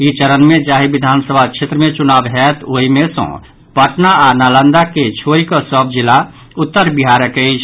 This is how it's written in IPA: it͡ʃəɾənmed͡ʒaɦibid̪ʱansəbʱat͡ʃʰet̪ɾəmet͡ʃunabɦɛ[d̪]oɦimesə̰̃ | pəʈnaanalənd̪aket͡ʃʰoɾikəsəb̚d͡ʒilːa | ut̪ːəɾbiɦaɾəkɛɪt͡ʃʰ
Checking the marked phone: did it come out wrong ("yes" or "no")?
yes